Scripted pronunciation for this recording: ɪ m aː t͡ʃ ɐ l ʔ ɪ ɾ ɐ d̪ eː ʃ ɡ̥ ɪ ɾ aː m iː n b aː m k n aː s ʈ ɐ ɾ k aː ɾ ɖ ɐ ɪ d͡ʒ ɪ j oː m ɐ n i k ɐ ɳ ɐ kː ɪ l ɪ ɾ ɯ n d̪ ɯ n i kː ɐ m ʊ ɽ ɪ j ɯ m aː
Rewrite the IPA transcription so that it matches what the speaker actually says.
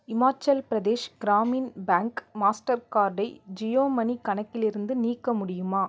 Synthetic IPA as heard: ɪ m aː t͡ʃ ɐ l p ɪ ɾ ɐ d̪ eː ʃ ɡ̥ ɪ ɾ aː m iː n b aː ŋ k m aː s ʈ ɐ ɾ k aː ɾ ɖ ɐ ɪ d͡ʒ ɪ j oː m ɐ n i k ɐ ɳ ɐ kː ɪ l ɪ ɾ ɯ n d̪ ɯ n iː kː ɐ m ʊ ɽ ɪ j ɯ m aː